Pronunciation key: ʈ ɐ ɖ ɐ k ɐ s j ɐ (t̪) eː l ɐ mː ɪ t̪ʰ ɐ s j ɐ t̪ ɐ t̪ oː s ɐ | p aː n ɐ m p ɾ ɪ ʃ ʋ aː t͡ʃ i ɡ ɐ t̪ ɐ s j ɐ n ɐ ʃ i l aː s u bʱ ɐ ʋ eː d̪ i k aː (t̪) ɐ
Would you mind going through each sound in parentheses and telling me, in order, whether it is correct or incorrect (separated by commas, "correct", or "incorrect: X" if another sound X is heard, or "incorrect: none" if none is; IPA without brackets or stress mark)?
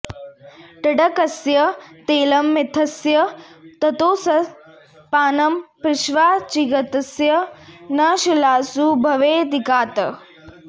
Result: correct, correct